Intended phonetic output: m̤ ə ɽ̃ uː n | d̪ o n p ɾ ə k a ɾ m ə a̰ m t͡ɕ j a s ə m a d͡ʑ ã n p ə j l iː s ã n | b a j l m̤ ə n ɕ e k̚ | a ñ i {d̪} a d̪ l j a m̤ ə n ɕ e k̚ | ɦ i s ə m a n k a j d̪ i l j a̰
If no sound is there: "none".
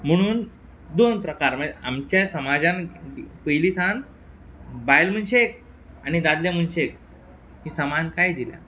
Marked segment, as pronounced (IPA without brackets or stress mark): d̪